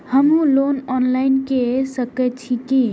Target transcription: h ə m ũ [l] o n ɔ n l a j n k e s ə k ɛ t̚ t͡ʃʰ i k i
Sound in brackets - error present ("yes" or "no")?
no